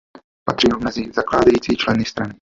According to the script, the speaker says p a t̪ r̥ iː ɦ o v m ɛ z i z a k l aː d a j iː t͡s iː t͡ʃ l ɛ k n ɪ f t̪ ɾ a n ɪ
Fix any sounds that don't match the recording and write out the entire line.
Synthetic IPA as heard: p a t̪ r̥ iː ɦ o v m ɛ z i z a k l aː d a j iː t͡s iː t͡ʃ l ɛ n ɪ s t̪ ɾ a n ɪ